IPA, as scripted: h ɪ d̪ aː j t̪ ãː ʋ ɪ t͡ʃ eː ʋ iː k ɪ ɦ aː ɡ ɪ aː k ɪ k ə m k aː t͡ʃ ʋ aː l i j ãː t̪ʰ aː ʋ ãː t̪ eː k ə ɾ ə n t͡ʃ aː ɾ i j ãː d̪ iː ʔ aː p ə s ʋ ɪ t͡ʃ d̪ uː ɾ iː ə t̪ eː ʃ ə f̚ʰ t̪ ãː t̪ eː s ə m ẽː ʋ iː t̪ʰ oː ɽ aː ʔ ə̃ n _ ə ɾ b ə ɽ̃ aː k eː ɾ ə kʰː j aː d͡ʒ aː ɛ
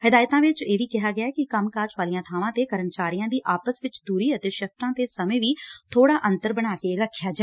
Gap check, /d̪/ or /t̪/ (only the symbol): t̪